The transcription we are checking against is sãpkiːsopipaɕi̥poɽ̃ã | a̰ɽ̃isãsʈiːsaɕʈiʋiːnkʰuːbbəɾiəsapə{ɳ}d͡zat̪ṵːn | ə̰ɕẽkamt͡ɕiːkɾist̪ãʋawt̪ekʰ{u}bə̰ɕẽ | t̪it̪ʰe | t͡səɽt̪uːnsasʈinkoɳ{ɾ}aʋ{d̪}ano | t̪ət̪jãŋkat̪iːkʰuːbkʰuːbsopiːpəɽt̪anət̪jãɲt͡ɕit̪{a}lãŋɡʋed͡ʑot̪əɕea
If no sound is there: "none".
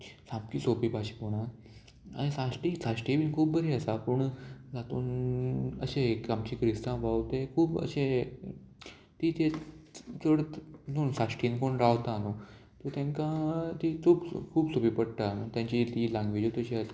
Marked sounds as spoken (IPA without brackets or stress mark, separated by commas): ɳ, uː, ɾ, t̪, i